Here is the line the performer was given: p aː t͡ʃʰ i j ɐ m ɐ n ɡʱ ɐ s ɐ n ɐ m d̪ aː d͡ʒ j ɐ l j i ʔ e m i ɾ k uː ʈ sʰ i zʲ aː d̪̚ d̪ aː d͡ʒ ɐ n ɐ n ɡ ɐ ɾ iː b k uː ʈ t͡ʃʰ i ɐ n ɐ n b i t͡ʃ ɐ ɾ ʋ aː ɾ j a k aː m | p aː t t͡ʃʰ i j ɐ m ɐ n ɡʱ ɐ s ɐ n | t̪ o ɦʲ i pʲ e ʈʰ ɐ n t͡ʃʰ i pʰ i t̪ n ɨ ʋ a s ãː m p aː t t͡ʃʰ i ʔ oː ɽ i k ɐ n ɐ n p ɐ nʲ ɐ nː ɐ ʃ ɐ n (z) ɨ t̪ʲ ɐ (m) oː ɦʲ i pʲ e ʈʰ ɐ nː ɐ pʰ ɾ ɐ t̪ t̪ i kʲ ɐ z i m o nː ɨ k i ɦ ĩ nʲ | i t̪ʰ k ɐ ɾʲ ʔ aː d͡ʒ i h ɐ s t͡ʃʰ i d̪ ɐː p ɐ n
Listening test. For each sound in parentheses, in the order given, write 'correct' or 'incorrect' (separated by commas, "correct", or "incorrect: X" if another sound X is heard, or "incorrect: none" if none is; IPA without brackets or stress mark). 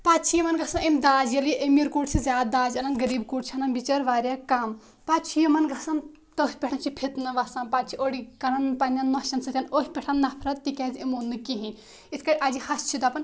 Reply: incorrect: s, incorrect: n